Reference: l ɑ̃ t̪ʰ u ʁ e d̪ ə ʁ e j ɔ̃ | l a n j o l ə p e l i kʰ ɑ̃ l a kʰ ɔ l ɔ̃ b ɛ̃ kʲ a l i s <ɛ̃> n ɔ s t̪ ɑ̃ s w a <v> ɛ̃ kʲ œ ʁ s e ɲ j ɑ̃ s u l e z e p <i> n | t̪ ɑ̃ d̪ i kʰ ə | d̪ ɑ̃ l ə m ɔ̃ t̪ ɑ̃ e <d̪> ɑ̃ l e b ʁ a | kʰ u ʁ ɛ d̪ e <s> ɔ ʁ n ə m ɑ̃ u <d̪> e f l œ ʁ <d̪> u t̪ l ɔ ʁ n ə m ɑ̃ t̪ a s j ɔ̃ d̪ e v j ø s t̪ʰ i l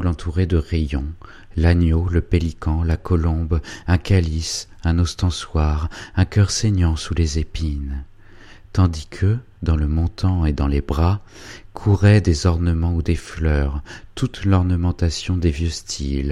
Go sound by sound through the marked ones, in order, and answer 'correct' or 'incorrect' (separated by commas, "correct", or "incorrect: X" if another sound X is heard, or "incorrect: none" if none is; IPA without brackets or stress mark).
correct, incorrect: ʁ, correct, correct, incorrect: z, correct, incorrect: t̪